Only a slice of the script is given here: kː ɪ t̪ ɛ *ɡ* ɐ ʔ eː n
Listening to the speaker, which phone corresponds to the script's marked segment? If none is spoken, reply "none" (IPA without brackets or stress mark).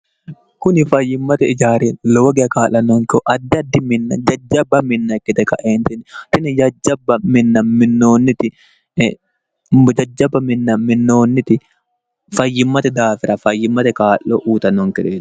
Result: k